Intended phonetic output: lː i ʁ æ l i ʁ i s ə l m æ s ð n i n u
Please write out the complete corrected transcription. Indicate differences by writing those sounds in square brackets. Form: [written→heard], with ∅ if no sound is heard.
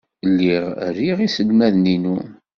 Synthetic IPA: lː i ʁ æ [l→ɾ] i ʁ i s ə l m æ [s→∅] ð n i n u